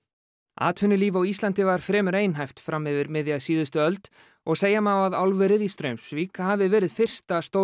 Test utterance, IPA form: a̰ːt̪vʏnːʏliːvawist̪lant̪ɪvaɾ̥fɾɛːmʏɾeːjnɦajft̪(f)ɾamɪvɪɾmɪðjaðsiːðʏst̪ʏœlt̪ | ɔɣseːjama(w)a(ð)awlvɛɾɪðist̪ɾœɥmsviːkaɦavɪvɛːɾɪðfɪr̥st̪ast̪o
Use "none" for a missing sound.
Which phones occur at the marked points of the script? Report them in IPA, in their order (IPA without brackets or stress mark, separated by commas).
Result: f, w, ð